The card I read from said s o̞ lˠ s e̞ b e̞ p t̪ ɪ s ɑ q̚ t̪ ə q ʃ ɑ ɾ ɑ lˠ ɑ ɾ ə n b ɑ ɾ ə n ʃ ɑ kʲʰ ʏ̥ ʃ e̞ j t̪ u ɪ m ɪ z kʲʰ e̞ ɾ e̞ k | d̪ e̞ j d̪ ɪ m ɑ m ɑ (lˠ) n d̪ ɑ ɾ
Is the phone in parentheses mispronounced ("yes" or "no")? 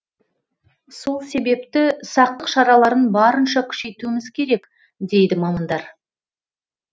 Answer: yes